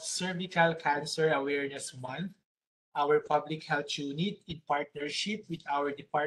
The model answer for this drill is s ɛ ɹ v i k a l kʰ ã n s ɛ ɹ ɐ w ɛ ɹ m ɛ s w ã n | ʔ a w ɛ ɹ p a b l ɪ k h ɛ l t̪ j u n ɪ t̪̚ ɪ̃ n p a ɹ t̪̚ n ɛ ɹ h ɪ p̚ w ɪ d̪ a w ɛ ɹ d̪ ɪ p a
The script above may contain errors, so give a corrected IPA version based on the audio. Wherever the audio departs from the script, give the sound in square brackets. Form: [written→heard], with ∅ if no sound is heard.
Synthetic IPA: s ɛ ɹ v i k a l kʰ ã n s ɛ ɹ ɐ w ɛ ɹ [m→n] ɛ s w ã n | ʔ a w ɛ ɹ p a b l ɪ k h ɛ l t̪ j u n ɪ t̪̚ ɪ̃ n p a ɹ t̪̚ n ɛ ɹ [h→ʃ] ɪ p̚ w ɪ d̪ a w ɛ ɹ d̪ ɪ p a